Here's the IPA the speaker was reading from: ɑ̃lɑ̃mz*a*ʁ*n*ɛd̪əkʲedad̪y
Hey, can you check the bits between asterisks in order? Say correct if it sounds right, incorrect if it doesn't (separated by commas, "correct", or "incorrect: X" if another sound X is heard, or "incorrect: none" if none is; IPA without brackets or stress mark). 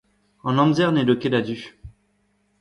incorrect: ɛ, correct